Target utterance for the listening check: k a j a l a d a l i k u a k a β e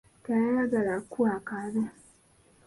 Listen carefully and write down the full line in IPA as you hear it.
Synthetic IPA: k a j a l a ɡ a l a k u a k a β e